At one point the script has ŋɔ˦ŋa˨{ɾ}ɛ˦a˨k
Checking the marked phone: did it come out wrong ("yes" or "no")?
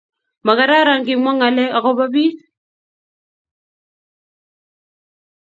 yes